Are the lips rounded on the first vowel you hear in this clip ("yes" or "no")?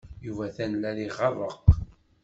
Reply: yes